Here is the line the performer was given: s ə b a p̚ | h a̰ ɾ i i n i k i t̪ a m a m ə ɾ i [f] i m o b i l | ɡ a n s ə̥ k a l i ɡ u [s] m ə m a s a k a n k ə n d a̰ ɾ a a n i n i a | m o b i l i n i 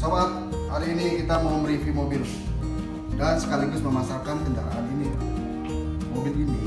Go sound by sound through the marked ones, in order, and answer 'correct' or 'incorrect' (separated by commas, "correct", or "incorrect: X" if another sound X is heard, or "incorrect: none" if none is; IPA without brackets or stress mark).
correct, correct